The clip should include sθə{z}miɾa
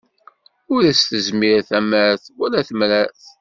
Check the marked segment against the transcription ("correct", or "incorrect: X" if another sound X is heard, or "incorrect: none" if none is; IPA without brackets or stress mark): correct